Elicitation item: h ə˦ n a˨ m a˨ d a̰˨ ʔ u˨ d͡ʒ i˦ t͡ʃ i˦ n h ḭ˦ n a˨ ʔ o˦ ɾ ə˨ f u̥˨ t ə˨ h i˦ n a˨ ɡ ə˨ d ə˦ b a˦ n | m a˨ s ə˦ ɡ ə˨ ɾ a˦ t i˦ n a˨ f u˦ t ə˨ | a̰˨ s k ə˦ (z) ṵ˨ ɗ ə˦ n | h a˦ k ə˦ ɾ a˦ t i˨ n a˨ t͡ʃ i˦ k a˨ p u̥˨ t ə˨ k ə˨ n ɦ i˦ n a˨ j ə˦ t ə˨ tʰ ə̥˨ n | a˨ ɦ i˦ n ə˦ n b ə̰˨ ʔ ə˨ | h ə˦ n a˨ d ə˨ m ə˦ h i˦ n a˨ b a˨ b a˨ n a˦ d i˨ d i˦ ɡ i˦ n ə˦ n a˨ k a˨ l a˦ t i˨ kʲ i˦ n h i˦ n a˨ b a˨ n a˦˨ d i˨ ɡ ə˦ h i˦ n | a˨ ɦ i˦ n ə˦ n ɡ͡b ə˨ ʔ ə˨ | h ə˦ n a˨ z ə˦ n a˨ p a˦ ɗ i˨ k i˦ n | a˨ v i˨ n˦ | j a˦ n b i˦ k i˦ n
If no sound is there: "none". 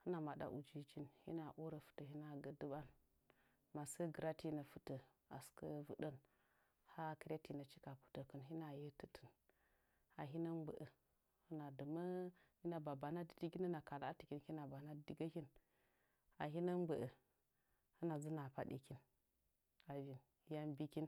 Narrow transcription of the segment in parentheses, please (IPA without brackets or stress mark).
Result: v